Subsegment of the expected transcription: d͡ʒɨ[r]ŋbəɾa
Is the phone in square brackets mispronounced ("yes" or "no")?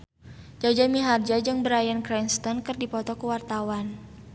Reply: yes